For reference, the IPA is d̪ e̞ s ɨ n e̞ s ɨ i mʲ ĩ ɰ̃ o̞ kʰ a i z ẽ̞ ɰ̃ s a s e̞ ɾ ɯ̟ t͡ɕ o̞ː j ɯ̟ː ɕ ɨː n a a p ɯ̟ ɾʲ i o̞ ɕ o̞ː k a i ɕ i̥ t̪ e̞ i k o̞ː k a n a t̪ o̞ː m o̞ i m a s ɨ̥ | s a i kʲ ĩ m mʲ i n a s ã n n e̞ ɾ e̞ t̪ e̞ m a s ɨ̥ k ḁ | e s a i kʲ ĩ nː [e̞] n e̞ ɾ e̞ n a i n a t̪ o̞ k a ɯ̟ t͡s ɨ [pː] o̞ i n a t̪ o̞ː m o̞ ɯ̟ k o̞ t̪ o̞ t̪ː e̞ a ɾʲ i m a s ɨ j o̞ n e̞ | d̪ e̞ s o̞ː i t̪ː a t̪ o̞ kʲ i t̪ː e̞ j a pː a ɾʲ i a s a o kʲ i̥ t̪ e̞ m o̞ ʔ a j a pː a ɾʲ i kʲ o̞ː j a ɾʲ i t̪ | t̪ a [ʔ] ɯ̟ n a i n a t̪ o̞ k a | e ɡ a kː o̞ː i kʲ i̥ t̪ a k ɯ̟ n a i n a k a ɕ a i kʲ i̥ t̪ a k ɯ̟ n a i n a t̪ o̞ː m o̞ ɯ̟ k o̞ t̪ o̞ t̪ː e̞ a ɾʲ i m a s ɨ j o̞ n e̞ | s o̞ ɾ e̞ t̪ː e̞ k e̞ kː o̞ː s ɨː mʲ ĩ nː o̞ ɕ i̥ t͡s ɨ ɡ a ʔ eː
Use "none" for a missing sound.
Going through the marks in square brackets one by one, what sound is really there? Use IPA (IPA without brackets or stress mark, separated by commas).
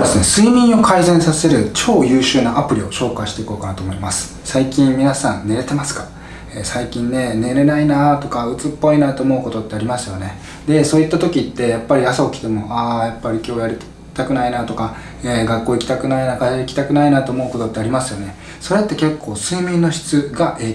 e̞, pː, k